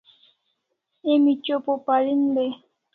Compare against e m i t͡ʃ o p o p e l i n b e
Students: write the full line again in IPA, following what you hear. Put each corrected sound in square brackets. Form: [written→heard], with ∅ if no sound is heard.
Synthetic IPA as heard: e m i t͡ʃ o p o p [e→a] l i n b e